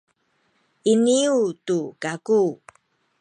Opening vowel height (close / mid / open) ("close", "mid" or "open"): close